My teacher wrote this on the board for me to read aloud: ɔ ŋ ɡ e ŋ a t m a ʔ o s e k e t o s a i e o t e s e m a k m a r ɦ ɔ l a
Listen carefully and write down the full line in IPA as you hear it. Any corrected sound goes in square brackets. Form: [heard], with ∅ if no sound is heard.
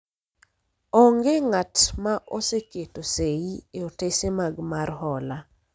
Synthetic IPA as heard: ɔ ŋ ɡ e ŋ a t m a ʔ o s e k e t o s [e] i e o t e s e m a [ɡ] m a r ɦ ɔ l a